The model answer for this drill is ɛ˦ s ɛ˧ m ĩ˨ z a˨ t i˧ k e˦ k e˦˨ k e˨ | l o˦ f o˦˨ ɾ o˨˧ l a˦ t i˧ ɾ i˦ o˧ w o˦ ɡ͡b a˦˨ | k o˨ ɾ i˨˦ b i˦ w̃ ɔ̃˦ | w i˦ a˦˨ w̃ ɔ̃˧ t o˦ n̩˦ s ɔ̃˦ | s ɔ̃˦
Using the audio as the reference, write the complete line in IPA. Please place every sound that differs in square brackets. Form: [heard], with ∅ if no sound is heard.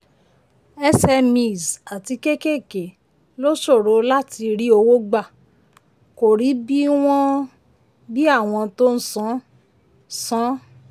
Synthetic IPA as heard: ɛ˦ s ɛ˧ m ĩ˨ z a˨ t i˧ k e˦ k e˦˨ k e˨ | l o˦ [ʃ] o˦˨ ɾ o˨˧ l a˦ t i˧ ɾ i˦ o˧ w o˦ ɡ͡b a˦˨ | k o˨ ɾ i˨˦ b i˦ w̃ ɔ̃˦ | [b] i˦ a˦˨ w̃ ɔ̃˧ t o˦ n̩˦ s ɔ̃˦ | s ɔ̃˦